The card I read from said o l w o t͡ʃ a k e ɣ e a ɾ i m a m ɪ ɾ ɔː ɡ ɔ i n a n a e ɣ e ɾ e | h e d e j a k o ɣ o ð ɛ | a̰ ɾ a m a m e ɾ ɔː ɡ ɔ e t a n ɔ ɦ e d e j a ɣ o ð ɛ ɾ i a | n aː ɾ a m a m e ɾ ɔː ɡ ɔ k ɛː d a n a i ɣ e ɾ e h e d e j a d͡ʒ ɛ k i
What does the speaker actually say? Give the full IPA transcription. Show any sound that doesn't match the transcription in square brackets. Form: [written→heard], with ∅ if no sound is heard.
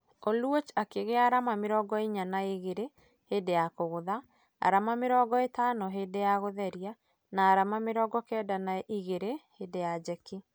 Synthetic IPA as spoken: o l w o t͡ʃ a k e ɣ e a ɾ [i→a] m a m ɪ ɾ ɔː ɡ ɔ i [n→ɲ] a n a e ɣ e ɾ e | h e d e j a k o ɣ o ð [ɛ→a] | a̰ ɾ a m a m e ɾ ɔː ɡ ɔ e t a n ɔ ɦ e d e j a ɣ o ð ɛ ɾ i a | n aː ɾ a m a m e ɾ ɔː ɡ ɔ k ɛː d a n a i ɣ e ɾ e h e d e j a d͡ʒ ɛ k i